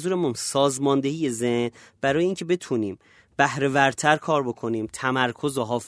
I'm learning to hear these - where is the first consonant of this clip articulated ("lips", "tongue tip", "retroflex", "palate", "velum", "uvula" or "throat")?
tongue tip